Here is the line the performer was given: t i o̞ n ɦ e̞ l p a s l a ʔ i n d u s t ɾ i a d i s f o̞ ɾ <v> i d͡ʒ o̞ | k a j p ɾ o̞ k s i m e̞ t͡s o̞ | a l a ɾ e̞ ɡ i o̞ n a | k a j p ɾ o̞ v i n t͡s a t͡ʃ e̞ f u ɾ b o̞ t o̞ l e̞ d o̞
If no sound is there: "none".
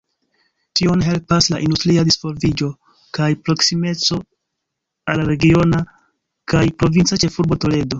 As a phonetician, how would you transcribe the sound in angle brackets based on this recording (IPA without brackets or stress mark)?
v